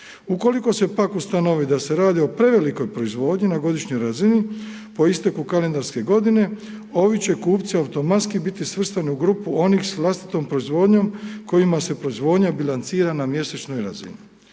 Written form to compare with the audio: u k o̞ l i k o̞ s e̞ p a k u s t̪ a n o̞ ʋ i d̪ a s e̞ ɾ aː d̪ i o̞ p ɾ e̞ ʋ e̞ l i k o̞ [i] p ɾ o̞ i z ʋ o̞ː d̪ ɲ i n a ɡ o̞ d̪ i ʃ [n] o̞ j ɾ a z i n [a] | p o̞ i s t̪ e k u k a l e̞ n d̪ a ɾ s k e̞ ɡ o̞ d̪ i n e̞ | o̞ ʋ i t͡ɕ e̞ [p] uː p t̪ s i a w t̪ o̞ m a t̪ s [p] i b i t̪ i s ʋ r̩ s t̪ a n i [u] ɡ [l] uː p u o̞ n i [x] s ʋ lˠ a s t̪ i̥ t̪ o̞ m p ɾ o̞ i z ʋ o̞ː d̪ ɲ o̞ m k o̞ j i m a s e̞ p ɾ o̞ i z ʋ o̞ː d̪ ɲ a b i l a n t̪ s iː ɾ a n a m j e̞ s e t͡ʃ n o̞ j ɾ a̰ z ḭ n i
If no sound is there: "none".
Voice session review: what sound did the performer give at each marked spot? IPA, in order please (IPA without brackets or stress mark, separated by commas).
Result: j, ɲ, i, k, k, u, ɾ, x